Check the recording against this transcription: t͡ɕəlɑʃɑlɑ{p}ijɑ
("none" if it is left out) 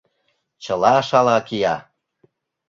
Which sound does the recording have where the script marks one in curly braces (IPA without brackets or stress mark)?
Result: k